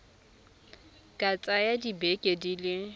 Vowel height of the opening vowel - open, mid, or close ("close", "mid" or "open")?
open